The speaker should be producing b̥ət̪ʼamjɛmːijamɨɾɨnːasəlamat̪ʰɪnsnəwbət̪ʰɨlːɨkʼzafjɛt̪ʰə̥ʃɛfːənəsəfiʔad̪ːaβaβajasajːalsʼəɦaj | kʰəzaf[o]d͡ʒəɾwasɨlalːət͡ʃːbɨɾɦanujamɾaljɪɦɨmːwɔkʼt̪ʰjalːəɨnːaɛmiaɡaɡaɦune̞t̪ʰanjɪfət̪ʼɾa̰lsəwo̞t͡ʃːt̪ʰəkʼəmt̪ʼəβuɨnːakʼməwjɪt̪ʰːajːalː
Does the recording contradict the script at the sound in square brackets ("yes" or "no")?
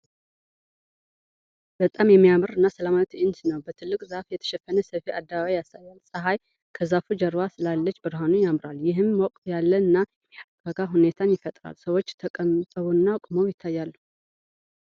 yes